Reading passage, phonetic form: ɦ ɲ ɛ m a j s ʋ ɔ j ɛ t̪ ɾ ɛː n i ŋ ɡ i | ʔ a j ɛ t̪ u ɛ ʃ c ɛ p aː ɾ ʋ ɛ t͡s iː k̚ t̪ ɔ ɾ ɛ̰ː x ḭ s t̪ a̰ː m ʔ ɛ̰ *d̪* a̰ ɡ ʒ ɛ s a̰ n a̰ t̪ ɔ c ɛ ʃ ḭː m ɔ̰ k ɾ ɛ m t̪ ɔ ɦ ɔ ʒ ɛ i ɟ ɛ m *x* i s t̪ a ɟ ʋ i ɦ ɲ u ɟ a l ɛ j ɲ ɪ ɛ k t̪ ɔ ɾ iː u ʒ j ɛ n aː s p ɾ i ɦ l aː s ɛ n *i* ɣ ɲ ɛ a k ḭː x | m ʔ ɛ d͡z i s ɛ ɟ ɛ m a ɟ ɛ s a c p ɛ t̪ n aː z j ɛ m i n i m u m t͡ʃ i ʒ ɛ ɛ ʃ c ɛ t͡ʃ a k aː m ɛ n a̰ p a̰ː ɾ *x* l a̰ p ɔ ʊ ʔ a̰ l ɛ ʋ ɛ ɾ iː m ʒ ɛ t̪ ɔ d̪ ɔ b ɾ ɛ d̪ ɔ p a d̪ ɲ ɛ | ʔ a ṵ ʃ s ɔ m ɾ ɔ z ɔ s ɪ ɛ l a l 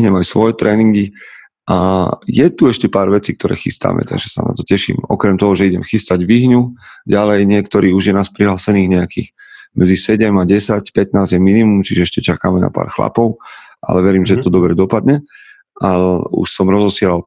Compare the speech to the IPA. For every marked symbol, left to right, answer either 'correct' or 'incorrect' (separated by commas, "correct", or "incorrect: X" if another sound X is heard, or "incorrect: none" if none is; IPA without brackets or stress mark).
incorrect: t̪, correct, incorrect: iː, correct